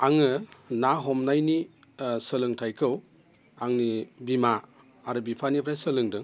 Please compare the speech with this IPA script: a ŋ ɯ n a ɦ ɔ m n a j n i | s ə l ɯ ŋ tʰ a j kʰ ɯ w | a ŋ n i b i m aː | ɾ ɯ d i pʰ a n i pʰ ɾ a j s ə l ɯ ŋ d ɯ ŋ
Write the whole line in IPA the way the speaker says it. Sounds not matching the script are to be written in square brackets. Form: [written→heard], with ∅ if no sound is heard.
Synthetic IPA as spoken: a ŋ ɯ n a ɦ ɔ m n a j n i | s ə l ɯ ŋ tʰ a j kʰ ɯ w | a ŋ n i b i m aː | ɾ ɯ [d→b] i pʰ a n i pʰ ɾ a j s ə l ɯ ŋ d ɯ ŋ